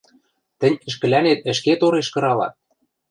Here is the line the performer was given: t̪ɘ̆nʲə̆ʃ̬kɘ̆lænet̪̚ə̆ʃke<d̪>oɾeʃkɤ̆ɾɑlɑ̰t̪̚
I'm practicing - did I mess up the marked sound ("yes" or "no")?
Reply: yes